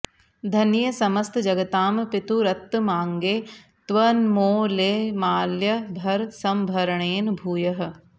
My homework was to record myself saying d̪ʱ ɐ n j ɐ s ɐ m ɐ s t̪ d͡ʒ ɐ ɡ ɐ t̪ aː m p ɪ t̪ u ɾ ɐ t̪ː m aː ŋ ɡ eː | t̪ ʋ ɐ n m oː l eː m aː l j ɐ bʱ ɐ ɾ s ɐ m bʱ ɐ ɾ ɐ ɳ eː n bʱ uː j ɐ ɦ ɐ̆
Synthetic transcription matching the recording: d̪ʱ ɐ n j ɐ s ɐ m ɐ s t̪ d͡ʒ ɐ ɡ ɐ t̪ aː m p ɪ t̪ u ɾ ɐ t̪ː m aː ŋ ɡ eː | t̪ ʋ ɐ n m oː l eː m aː l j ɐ bʱ ɐ ɾ s ɐ m bʱ ɐ ɾ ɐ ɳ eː n bʱ uː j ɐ ɦ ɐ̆